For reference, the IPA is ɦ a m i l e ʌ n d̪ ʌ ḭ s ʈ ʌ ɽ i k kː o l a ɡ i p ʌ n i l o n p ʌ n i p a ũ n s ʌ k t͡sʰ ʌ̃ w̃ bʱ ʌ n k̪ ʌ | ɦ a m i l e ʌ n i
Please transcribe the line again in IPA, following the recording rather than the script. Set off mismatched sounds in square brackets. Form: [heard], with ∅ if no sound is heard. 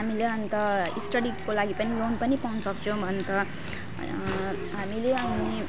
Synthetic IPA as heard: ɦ a m i l e ʌ n [t̪] ʌ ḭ s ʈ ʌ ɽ i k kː o l a ɡ i p ʌ n i l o n p ʌ n i p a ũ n s ʌ k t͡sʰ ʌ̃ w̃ bʱ ʌ n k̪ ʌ | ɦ a m i l e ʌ n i